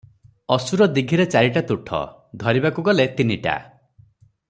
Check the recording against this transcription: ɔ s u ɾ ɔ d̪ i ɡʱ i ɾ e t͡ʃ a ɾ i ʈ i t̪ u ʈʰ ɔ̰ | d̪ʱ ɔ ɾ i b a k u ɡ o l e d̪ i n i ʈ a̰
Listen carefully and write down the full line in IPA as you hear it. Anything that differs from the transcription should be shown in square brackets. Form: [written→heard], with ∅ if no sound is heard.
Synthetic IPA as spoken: ɔ s u ɾ ɔ d̪ i ɡʱ i ɾ e t͡ʃ a ɾ i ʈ [i→a] t̪ u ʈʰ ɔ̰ | d̪ʱ ɔ ɾ i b a k u ɡ [o→ɔ] l e [d̪→t̪] i n i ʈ a̰